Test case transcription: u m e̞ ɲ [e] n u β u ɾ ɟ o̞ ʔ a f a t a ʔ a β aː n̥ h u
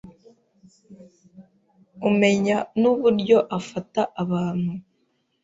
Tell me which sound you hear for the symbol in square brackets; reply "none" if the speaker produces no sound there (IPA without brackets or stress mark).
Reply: a